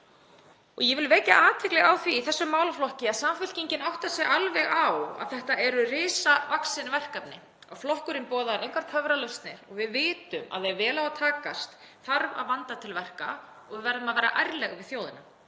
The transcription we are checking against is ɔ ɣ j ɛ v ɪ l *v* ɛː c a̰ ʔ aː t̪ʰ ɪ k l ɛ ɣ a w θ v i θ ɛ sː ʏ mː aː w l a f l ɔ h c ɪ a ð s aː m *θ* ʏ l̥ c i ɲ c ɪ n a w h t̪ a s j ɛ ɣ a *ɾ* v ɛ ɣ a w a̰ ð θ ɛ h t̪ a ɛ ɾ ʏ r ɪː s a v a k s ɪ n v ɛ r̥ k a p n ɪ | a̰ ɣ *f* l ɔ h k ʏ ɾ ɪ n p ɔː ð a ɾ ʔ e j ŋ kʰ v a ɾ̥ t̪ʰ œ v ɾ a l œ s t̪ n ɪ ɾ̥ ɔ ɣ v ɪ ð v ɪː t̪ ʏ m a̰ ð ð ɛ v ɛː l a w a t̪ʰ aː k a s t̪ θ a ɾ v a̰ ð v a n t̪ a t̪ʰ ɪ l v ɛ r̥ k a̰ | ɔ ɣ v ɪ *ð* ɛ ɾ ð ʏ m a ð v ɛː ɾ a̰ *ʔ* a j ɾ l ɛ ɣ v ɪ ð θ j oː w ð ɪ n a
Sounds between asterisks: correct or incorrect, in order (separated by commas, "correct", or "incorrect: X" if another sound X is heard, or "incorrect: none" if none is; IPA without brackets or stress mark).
correct, incorrect: f, incorrect: l, correct, incorrect: v, correct